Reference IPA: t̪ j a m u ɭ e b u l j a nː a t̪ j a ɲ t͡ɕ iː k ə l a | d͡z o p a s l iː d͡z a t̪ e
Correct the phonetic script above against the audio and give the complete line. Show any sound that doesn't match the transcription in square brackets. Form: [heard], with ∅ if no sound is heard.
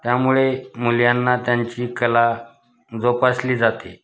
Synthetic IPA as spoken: t̪ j a m u ɭ e [m] u l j a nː a t̪ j a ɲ t͡ɕ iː k ə l a | d͡z o p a s l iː d͡z a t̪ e